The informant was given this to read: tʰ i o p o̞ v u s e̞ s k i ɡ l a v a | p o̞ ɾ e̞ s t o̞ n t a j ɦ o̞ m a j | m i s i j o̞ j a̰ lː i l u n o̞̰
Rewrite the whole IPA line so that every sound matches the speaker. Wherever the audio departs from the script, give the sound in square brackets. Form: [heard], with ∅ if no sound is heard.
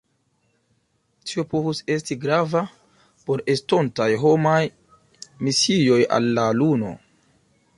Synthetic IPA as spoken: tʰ i o p o̞ v u s e̞ s [t] i ɡ [ɾ] a v a | p o̞ ɾ e̞ s t o̞ n t a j ɦ o̞ m a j | m i s i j o̞ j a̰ lː [a] l u n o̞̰